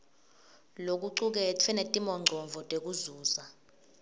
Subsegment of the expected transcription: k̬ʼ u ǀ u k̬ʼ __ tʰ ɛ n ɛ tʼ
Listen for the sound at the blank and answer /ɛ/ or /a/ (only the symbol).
ɛ